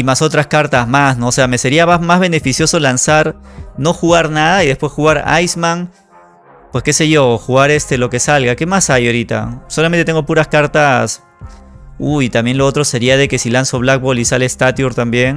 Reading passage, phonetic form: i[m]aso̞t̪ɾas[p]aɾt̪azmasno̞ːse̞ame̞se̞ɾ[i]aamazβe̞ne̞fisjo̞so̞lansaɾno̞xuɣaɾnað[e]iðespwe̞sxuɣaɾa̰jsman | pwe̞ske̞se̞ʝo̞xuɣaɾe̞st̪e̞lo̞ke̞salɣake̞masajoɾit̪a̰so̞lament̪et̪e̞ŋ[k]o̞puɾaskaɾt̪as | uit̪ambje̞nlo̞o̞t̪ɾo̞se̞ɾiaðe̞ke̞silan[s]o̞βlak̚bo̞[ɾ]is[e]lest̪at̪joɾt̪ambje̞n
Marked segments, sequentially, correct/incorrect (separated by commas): correct, incorrect, correct, incorrect, incorrect, correct, incorrect, incorrect